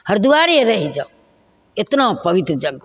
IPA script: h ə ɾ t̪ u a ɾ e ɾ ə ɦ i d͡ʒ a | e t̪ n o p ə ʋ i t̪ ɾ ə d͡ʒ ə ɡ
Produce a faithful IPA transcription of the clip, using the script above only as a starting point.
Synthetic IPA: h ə ɾ d̪ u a ɾ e ɾ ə ɦ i d͡ʒ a | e t̪ n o p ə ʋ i t̪ ɾ ə d͡ʒ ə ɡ